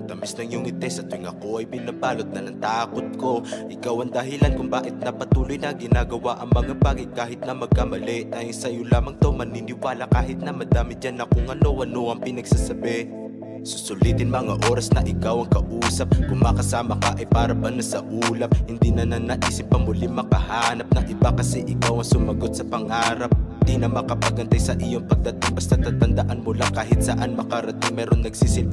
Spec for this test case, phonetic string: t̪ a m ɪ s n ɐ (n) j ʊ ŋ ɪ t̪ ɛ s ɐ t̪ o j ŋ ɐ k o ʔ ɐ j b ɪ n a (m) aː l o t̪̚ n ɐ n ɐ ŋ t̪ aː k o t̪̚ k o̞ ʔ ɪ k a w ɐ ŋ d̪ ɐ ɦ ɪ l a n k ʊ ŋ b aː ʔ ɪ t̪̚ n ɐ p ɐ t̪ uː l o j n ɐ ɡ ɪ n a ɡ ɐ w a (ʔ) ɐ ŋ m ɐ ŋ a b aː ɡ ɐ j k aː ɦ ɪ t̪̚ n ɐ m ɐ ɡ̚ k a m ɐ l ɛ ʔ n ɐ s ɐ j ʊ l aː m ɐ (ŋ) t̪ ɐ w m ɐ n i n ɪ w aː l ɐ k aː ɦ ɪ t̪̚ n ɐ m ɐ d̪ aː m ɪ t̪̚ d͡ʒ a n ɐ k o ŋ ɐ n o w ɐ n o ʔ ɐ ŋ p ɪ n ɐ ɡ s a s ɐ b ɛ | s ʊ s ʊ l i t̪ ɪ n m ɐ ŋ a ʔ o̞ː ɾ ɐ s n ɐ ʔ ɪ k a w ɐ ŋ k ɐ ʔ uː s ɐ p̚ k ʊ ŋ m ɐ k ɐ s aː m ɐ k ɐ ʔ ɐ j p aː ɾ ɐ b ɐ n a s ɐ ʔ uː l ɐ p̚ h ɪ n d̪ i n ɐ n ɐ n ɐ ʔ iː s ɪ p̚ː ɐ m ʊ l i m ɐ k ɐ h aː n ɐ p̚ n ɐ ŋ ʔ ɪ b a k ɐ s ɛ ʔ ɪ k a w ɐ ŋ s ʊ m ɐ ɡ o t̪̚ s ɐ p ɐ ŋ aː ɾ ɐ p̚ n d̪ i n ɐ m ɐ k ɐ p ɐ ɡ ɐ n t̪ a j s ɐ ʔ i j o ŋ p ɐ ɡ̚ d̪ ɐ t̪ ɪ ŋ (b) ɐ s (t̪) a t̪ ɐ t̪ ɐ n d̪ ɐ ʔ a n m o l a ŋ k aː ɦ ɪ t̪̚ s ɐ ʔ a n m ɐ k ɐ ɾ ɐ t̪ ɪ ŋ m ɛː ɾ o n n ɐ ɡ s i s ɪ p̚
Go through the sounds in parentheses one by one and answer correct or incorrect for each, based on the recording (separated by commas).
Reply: incorrect, incorrect, correct, correct, correct, correct